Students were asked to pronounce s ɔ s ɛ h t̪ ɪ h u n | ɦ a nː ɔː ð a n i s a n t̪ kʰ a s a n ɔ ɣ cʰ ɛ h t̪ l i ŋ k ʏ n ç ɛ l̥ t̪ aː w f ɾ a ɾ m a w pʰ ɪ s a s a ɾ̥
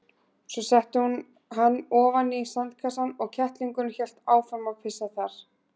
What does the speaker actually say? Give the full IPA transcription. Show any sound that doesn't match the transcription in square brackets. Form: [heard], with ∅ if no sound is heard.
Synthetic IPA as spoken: s ɔ s ɛ h t̪ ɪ h u n | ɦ a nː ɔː [v] a n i s a n t̪ kʰ a s a n ɔ ɣ cʰ ɛ h t̪ l i ŋ k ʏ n ç ɛ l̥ t̪ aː w f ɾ a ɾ m a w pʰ ɪ s a [θ] a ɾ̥